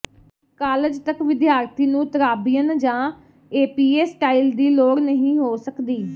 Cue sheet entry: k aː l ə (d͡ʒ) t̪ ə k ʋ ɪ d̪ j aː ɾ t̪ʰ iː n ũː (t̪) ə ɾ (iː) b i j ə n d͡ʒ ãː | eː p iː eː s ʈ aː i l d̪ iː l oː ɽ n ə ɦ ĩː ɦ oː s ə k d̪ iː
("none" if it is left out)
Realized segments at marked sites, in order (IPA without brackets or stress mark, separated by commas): d͡ʒ, t̪, aː